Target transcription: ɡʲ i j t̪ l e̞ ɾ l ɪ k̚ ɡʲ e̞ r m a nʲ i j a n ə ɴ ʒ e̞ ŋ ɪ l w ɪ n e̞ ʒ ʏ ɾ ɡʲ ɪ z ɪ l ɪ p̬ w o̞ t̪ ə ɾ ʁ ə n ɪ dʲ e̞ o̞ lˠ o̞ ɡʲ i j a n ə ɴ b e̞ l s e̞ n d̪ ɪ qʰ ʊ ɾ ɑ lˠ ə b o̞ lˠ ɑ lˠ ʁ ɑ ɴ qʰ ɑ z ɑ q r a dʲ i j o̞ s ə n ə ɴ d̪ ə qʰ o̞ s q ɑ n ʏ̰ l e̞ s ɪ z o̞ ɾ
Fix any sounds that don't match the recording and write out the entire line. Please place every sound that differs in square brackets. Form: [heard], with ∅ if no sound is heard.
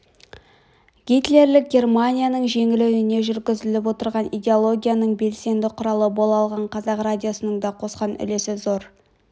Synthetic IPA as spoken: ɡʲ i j t̪ l e̞ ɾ l ɪ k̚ ɡʲ e̞ r m a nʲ i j a n ə ɴ ʒ e̞ ŋ ɪ l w ɪ n e̞ ʒ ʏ ɾ ɡʲ ɪ z ɪ l ɪ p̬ w o̞ t̪ ə ɾ ʁ [ɑ] n [i] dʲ e̞ o̞ lˠ o̞ ɡʲ i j a n ə ɴ b e̞ l s e̞ n d̪ ɪ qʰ ʊ ɾ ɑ lˠ ə b o̞ lˠ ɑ lˠ ʁ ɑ ɴ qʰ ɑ z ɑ q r a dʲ i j o̞ s ə n ə ɴ d̪ [ɑ] qʰ o̞ s q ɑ n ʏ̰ l e̞ s ɪ z o̞ ɾ